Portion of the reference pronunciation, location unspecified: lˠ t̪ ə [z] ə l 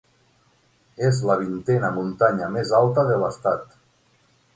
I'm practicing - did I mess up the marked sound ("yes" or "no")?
yes